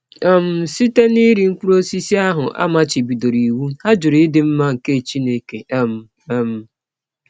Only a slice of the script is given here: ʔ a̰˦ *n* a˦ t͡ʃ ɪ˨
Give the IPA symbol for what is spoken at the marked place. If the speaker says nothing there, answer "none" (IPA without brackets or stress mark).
m